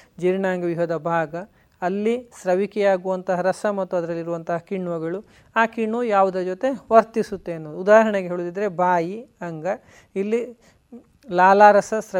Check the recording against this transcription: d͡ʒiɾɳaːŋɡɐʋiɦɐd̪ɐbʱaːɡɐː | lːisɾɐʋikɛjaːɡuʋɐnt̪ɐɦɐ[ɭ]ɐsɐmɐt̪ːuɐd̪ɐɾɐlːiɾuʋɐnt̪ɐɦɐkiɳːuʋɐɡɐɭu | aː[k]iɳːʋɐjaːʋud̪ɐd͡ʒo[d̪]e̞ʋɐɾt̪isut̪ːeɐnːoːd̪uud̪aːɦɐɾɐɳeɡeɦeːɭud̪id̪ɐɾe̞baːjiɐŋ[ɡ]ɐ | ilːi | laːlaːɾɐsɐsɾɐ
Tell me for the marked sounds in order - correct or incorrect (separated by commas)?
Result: incorrect, correct, incorrect, correct